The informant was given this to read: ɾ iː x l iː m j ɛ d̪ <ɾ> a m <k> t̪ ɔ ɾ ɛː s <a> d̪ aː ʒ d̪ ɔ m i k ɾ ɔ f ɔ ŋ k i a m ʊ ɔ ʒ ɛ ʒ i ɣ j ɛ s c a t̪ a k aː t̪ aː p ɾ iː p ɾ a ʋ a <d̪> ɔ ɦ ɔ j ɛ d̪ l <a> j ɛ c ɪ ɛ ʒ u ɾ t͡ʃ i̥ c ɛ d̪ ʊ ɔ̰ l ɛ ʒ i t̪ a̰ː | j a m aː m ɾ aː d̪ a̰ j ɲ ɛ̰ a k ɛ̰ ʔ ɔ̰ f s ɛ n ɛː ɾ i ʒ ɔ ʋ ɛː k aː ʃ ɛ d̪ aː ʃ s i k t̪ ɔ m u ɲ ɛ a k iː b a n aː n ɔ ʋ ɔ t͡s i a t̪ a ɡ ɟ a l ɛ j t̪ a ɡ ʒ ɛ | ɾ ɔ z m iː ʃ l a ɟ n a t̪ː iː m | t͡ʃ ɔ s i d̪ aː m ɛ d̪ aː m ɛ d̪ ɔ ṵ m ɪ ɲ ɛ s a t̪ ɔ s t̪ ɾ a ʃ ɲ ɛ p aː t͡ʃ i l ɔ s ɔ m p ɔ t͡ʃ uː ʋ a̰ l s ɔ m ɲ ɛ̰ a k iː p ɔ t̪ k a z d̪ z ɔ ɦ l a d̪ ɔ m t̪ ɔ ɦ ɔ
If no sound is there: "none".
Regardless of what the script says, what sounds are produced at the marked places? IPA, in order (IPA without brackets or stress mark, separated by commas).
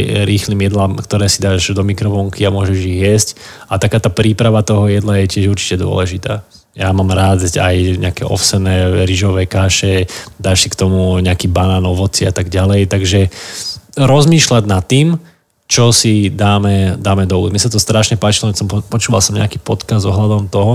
l, k, i, t̪, a